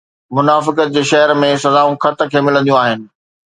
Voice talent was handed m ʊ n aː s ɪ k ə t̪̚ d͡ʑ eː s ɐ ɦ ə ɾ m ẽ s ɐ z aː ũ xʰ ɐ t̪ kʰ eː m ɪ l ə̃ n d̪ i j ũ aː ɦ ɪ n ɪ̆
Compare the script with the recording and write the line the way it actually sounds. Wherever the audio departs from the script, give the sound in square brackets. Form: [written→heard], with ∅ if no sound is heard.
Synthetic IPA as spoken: m ʊ n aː [s→f] ɪ k ə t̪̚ d͡ʑ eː [s→ʃ] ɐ ɦ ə ɾ m ẽ s ɐ z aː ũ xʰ ɐ t̪ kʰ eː m ɪ l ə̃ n d̪ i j ũ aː ɦ ɪ n ɪ̆